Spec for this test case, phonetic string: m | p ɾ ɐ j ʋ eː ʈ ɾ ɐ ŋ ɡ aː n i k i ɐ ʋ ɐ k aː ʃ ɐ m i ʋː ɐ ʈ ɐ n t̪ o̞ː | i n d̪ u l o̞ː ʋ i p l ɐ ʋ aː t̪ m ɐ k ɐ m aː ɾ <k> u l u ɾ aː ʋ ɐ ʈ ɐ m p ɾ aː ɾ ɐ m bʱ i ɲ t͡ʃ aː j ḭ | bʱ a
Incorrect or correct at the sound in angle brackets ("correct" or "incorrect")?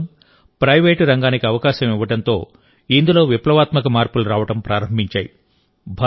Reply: incorrect